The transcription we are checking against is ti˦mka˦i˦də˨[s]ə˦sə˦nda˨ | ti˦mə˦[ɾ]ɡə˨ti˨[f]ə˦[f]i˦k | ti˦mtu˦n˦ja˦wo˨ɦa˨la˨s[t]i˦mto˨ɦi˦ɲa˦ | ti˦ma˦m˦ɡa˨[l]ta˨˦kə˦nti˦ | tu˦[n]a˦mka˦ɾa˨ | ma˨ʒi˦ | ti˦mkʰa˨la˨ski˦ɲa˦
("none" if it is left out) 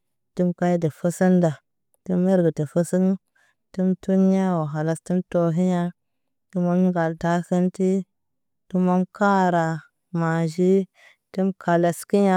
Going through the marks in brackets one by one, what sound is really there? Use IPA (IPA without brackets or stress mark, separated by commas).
f, ɾ, f, s, t, l, m